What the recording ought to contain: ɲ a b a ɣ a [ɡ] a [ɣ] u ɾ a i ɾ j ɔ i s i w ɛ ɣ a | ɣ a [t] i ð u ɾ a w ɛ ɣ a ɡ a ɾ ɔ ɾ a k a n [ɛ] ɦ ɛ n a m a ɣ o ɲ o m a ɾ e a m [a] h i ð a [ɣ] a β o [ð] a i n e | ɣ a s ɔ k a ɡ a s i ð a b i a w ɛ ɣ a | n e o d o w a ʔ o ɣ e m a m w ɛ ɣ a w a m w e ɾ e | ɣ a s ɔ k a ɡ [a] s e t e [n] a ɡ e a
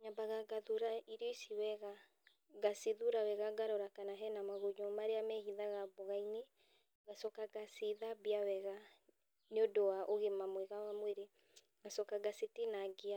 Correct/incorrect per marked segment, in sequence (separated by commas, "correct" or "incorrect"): correct, incorrect, incorrect, incorrect, incorrect, correct, incorrect, correct, correct